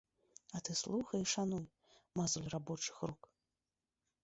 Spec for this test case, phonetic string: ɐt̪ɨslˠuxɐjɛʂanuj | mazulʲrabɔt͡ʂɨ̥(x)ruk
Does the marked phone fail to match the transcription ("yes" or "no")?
no